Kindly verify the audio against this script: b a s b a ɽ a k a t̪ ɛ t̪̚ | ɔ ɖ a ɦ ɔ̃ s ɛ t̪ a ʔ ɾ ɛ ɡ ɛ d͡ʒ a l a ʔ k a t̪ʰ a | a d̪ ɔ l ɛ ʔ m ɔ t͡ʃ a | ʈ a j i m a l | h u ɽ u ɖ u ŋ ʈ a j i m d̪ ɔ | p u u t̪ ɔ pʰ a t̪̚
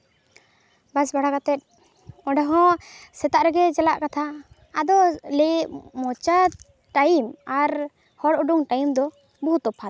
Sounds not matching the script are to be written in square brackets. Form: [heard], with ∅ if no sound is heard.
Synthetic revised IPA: b a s b a ɽ a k a t̪ ɛ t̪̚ | ɔ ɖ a ɦ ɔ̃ s ɛ t̪ a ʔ ɾ ɛ ɡ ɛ d͡ʒ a l a ʔ k a t̪ʰ a | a d̪ ɔ l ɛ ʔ m ɔ t͡ʃ a | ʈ a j i m a [ɾ] | h [ɔ] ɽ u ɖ u ŋ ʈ a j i m d̪ ɔ | [b] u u t̪ ɔ pʰ a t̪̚